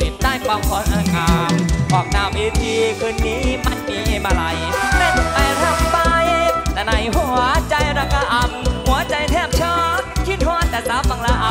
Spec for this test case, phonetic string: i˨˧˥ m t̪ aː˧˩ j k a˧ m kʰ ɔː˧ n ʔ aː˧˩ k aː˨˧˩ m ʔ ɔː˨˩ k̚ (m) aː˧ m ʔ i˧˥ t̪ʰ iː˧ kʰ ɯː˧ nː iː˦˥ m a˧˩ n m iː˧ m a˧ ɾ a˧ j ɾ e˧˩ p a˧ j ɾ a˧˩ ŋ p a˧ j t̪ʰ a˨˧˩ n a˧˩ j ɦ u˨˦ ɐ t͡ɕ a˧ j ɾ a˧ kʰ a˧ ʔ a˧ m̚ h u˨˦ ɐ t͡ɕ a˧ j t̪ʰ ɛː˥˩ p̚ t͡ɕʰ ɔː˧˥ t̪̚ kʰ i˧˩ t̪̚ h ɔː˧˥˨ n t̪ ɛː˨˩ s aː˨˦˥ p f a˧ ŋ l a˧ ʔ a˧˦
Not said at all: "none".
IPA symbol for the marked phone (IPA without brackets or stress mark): n